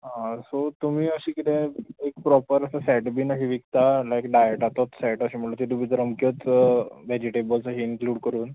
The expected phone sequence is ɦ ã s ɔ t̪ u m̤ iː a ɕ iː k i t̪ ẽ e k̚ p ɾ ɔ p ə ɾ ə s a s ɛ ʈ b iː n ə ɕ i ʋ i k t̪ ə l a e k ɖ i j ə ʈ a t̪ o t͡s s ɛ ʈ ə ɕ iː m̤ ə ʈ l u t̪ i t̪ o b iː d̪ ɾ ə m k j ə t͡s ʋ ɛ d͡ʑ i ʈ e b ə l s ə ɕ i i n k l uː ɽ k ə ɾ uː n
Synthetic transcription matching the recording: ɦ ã s o t̪ u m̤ iː ə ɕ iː k i t̪ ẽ e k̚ p ɾ ɔ p ə ɾ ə s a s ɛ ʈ b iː n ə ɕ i ʋ i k t̪ a l a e k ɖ a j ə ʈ a t̪ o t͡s s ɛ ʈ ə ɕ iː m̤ ə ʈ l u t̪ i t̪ u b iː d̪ ɾ ə m k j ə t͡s ʋ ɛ d͡ʑ i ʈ e b ə l s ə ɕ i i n k l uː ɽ k ə ɾ uː n

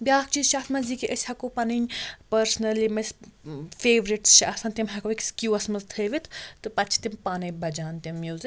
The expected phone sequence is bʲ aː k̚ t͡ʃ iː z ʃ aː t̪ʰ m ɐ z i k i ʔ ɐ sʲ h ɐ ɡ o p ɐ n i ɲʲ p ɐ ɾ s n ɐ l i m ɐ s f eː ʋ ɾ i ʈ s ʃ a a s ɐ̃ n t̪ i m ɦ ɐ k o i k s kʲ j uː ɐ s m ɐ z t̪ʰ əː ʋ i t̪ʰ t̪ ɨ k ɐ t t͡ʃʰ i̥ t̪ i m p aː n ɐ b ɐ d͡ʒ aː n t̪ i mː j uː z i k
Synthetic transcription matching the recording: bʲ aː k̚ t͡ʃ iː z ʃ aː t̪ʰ m ɐ z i k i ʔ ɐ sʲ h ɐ k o p ɐ n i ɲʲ p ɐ ɾ s n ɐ l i m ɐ s f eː ʋ ɾ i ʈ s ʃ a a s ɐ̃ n t̪ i m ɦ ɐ k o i k s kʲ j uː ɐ s m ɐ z t̪ʰ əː ʋ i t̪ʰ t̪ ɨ p ɐ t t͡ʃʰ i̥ t̪ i m p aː n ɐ b ɐ d͡ʒ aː n t̪ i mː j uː z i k

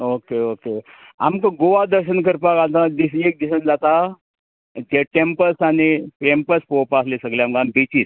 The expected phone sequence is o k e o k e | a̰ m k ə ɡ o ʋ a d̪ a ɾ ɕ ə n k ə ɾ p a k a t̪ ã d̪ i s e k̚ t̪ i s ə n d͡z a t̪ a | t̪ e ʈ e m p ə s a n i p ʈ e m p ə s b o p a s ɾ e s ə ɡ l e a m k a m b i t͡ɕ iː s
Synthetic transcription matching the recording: o k e o k e | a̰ m k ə ɡ o ʋ a d̪ ə ɾ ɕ ə n k ə ɾ p a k a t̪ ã d̪ i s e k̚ d̪ i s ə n d͡z a t̪ a | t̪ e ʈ e m p ə s a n i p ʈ e m p ə s p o p a s l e s ə ɡ l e a m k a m b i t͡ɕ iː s

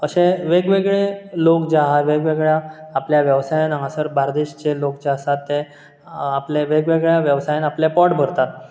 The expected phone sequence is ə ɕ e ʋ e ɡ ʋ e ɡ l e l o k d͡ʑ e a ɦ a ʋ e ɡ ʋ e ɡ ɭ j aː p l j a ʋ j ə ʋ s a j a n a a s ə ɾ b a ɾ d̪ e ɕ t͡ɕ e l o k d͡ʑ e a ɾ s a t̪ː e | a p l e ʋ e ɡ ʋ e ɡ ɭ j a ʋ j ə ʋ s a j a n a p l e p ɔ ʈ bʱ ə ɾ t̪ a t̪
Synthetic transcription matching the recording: ə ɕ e ʋ e ɡ ʋ e ɡ ɭ e l o k d͡ʑ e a ɦ a ʋ e ɡ ʋ e ɡ ɭ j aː p l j a ʋ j ə ʋ s a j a n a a s ə ɾ b a ɾ d̪ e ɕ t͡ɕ e l o k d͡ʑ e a s a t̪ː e | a p l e ʋ e ɡ ʋ e ɡ ɭ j a ʋ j ə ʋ s a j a n a p l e p ɔ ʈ bʱ ə ɾ t̪ a t̪

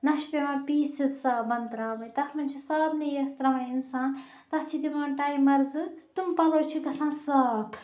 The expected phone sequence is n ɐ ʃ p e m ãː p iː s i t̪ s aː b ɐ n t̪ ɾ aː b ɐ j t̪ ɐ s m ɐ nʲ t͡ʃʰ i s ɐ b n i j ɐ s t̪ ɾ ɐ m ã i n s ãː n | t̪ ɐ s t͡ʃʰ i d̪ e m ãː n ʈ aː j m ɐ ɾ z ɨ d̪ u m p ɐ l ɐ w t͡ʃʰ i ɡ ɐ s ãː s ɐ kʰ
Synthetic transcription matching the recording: n ɐ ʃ p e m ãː p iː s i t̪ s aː b ɐ n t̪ ɾ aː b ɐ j t̪ ɐ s m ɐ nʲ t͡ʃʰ i s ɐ b n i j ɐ s t̪ ɾ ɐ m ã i n s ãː n | t̪ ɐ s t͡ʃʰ i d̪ i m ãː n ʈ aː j m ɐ ɾ z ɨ t̪ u m p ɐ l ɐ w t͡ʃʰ i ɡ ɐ s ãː s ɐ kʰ

